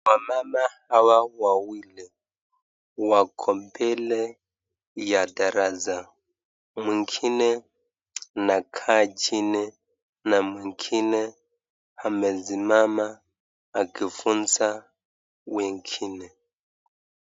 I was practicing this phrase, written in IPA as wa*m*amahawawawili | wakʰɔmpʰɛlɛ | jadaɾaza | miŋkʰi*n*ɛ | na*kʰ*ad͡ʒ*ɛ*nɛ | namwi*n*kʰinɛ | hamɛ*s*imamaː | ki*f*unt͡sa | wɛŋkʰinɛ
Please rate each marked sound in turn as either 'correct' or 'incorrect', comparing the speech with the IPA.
correct, correct, correct, incorrect, incorrect, incorrect, correct

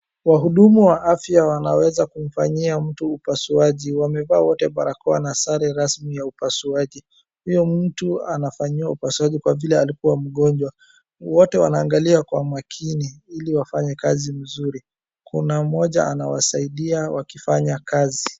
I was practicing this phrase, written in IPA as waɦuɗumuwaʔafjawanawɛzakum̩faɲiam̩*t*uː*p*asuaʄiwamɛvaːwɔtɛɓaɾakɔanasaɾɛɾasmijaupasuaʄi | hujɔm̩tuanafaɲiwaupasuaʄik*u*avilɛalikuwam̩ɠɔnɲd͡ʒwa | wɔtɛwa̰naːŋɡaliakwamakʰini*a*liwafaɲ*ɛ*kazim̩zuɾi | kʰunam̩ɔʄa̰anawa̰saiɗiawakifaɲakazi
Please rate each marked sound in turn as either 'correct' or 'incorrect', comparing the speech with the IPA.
correct, correct, incorrect, incorrect, correct

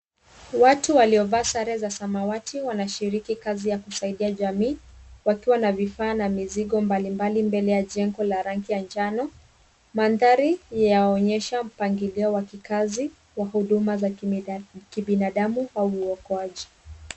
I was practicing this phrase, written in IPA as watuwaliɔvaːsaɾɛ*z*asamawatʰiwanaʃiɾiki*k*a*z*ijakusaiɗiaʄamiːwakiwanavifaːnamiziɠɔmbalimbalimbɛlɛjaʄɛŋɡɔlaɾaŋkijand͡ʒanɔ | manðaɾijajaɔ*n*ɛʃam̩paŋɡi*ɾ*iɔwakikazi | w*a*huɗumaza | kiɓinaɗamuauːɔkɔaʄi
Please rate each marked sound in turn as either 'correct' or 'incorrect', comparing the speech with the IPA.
correct, correct, correct, incorrect, incorrect, correct

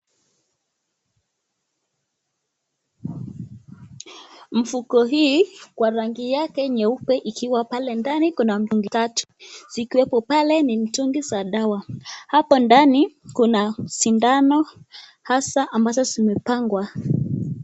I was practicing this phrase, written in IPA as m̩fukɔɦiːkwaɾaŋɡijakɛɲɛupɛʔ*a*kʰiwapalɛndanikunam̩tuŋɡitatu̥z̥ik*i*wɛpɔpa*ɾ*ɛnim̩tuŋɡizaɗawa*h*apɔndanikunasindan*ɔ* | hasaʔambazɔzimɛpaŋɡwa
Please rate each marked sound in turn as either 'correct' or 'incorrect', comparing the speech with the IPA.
incorrect, correct, incorrect, correct, correct

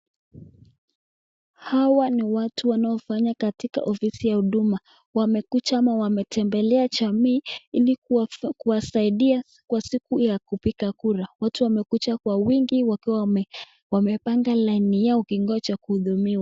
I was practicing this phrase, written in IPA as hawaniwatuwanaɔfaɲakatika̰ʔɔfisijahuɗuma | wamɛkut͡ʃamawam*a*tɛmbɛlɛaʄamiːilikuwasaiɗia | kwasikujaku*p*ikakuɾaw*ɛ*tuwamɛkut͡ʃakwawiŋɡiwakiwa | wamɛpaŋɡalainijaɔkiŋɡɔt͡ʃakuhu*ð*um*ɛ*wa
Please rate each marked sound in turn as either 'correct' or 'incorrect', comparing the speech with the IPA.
incorrect, correct, incorrect, correct, incorrect

